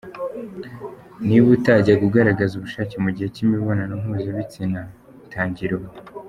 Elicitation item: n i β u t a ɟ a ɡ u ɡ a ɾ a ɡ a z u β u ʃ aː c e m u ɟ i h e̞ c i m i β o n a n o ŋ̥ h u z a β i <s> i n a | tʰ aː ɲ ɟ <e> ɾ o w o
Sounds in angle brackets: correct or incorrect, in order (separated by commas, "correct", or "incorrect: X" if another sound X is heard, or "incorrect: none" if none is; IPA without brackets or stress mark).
incorrect: t͡s, incorrect: i